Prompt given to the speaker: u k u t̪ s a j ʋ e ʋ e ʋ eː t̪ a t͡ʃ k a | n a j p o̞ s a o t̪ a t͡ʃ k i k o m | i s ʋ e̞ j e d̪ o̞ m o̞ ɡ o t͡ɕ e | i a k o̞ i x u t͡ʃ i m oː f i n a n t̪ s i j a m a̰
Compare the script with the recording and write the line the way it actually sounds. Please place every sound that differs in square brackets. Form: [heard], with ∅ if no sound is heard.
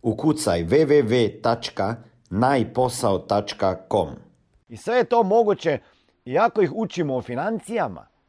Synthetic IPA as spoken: u k u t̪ s a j ʋ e ʋ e ʋ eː t̪ a t͡ʃ k a | n a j p o̞ s a o t̪ a t͡ʃ k [a] k o m | i s ʋ e̞ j e [t̪] o̞ m o̞ ɡ [u] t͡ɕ e | i a k o̞ i x u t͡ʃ i m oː f i n a n t̪ s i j a m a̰